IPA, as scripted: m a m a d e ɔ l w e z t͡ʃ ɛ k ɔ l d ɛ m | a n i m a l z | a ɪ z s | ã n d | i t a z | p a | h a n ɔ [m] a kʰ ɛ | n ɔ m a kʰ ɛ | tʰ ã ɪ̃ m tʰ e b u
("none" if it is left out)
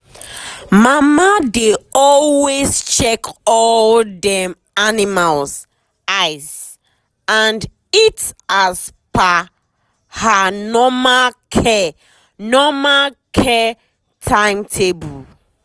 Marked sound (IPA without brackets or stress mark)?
m